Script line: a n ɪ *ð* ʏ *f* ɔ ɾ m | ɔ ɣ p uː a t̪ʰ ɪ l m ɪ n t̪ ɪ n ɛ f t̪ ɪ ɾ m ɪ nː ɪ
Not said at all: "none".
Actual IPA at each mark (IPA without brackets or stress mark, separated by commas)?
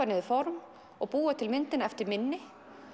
ð, f